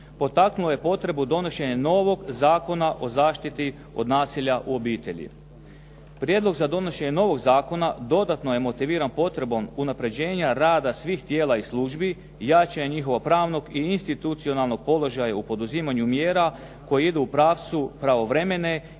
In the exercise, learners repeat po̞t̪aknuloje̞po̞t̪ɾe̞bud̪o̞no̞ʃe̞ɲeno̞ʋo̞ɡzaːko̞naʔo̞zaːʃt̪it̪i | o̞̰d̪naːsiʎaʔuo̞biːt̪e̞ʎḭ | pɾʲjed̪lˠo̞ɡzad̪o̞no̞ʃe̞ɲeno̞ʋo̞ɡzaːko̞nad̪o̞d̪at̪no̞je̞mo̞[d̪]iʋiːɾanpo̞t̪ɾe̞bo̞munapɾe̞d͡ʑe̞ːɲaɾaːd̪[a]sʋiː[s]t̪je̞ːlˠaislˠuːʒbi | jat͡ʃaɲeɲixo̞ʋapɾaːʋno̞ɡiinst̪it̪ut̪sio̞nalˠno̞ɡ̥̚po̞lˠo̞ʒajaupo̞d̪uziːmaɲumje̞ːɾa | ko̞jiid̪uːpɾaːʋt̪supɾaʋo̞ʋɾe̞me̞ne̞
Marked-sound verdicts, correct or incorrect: incorrect: t̪, correct, incorrect: x

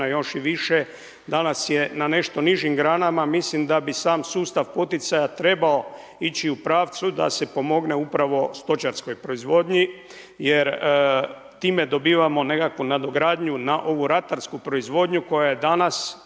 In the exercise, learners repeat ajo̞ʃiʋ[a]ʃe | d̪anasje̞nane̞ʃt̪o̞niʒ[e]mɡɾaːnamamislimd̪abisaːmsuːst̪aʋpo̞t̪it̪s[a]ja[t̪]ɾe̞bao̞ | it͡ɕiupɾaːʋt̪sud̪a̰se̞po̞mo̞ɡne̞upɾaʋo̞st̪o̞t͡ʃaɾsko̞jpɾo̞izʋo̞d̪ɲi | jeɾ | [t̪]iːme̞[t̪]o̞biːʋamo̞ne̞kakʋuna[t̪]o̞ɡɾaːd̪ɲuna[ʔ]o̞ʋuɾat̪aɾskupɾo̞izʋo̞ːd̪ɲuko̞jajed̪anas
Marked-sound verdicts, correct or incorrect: incorrect: i, incorrect: i, correct, correct, correct, incorrect: d̪, incorrect: d̪, correct

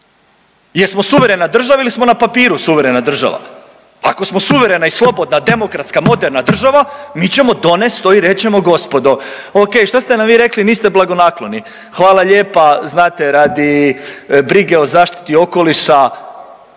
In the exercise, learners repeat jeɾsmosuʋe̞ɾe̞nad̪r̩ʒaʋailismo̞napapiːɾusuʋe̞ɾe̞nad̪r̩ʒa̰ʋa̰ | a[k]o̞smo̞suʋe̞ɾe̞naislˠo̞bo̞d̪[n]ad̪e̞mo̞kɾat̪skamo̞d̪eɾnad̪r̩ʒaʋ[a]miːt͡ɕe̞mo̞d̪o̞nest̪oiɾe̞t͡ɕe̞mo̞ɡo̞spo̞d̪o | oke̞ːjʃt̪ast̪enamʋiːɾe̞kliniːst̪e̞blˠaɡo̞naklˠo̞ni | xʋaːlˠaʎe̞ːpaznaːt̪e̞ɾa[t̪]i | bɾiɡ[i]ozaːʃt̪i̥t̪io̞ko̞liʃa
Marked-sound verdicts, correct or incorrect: correct, correct, correct, incorrect: d̪, incorrect: e

